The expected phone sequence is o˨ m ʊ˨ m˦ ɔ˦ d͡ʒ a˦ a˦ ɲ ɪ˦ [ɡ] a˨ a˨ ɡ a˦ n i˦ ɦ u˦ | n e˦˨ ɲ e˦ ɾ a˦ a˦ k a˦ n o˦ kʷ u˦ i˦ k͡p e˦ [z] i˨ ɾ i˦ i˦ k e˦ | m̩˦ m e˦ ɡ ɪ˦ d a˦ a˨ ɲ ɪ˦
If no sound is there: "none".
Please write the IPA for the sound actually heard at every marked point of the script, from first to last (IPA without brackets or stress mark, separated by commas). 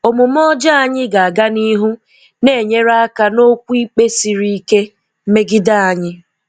ɡ, s